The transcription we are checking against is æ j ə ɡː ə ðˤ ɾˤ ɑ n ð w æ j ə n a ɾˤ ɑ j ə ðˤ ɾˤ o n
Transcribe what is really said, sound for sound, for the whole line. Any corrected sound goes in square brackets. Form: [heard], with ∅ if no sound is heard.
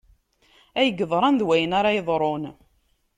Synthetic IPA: æ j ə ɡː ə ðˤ ɾˤ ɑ n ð w æ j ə n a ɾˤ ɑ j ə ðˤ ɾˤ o n